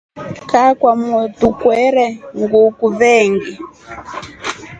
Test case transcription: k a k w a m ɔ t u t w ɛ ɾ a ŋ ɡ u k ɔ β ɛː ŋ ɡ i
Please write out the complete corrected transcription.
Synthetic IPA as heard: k a k w a m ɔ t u k w ɛ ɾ ɛ ŋ ɡ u k u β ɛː ŋ ɡ i